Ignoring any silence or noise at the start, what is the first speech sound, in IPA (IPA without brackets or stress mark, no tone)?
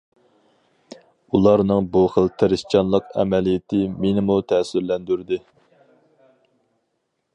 u